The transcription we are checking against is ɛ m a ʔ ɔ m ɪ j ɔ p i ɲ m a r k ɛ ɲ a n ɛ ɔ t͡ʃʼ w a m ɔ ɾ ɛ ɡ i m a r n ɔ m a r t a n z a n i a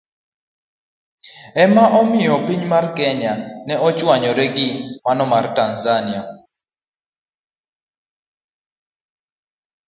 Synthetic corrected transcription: ɛ m a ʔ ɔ m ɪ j ɔ p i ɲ m a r k ɛ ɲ a n ɛ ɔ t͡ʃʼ w a ɲ ɔ ɾ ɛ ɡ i m a n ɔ m a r t a n z a n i a